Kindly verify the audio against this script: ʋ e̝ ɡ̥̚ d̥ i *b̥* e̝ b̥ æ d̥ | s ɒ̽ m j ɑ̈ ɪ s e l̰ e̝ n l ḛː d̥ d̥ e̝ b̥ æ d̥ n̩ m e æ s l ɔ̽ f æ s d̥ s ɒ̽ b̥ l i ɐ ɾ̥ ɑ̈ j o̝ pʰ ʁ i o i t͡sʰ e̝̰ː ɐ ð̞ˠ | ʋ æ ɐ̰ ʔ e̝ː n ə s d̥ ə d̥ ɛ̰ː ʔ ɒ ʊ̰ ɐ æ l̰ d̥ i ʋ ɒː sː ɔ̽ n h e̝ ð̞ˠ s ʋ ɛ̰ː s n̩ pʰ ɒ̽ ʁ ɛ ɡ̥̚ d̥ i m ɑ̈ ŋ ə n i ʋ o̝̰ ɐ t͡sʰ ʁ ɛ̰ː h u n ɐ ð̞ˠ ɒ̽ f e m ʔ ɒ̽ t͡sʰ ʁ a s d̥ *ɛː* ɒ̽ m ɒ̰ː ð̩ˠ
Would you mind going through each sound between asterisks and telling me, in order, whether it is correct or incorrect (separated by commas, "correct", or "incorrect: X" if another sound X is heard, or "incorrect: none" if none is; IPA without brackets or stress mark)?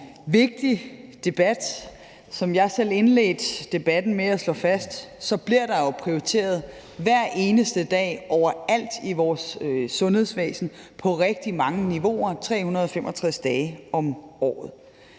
incorrect: d̥, correct